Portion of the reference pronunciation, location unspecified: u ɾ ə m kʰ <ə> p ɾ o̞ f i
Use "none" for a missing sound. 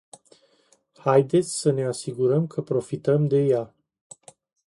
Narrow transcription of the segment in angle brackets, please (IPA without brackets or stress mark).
ə